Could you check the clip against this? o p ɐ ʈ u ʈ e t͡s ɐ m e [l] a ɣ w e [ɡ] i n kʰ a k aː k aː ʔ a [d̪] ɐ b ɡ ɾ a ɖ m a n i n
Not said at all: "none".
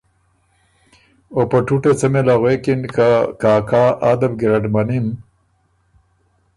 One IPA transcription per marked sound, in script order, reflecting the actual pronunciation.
l, k, d̪

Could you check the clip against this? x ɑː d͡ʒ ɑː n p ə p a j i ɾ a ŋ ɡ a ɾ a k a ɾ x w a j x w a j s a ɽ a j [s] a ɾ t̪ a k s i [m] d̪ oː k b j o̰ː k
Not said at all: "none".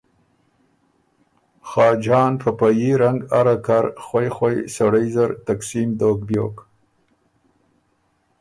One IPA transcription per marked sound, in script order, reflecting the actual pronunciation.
z, m

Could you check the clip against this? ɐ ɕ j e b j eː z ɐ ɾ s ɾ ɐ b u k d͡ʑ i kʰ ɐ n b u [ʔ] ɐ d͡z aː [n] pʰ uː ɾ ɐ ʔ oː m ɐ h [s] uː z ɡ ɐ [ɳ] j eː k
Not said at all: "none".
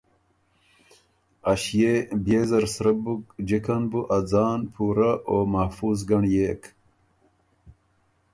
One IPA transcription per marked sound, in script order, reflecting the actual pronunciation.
ʔ, n, f, ɳ

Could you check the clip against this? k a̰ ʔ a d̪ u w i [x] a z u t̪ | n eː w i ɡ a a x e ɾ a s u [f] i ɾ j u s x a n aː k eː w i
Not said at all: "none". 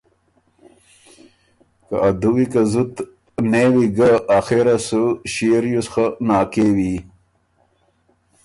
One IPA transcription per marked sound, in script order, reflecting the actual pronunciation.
k, ɕ

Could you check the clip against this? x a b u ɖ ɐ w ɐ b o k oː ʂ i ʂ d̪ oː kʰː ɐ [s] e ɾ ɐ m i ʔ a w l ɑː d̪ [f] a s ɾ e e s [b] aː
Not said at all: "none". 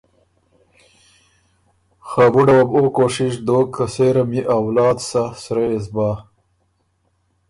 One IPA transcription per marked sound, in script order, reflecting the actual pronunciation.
s, s, b

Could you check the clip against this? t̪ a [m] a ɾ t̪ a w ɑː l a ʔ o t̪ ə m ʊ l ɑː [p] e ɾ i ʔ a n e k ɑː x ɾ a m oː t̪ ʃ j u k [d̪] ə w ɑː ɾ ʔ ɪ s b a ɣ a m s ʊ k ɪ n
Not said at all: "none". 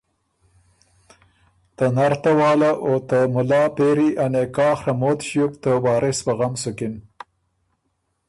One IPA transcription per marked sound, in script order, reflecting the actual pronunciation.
n, p, t̪

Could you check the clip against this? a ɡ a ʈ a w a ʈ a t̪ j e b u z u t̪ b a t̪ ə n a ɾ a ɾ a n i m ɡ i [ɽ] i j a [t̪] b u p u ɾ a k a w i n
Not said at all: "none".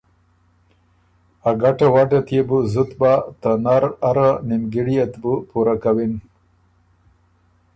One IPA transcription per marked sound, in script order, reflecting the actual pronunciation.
ɽ, t̪

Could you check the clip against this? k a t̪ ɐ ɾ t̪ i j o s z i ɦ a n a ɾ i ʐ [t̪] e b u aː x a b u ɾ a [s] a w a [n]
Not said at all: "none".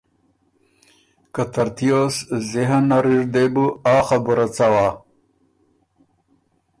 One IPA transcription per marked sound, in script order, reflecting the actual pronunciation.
d̪, t͡s, none

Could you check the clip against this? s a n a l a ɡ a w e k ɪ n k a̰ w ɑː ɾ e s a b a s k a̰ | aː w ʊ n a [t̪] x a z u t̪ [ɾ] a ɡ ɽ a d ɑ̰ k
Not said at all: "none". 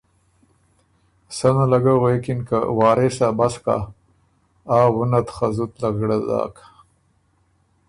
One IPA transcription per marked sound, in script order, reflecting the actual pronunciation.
t̪, l

